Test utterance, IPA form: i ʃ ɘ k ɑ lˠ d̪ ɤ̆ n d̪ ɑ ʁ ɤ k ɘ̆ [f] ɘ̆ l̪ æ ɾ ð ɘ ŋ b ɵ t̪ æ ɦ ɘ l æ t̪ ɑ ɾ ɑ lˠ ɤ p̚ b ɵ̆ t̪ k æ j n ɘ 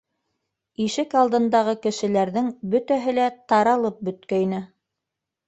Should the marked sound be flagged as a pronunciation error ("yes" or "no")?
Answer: yes